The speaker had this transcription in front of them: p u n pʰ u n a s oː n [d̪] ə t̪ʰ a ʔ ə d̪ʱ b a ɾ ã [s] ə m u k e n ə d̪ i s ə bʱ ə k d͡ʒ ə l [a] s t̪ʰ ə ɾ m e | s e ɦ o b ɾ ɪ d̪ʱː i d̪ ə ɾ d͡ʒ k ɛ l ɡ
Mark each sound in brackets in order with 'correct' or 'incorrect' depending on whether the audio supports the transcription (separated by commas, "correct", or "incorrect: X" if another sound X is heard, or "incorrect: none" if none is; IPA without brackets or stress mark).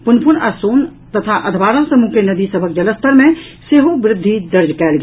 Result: incorrect: t̪, correct, incorrect: ə